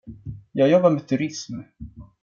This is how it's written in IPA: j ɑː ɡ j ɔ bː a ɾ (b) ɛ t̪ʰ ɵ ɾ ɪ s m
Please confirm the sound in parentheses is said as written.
no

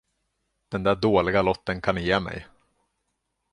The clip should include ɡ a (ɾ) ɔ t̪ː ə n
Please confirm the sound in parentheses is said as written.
no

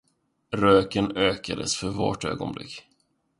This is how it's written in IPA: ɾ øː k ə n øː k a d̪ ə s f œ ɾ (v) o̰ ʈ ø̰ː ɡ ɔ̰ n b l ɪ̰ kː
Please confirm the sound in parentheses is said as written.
yes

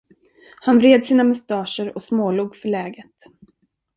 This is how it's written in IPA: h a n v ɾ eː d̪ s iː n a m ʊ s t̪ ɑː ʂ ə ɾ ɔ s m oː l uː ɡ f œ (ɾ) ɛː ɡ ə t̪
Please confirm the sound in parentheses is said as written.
no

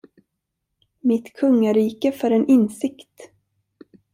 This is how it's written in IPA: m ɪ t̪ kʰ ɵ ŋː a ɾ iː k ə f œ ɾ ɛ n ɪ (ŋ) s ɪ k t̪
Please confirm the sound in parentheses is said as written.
no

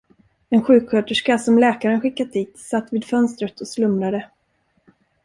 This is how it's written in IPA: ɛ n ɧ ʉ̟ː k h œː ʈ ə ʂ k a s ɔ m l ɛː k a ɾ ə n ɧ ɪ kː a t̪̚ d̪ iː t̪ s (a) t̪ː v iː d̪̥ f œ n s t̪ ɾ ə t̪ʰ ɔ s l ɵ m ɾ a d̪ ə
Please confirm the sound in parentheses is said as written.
yes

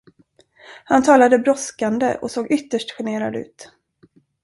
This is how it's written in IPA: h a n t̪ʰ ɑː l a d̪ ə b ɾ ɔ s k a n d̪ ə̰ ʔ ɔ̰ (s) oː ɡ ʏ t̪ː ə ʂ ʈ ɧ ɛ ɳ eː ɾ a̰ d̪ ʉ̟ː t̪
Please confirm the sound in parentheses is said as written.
yes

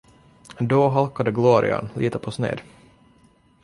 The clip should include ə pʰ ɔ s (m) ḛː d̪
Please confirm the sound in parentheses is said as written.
no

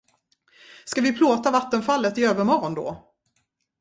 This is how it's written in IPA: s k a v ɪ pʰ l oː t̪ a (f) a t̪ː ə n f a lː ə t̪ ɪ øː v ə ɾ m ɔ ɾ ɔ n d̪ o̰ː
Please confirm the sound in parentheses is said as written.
no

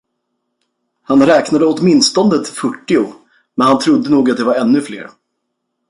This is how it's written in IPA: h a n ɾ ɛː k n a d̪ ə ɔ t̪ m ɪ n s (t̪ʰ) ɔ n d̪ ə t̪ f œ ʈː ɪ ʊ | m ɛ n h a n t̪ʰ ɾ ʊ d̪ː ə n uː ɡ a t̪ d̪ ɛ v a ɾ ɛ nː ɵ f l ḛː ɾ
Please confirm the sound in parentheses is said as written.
no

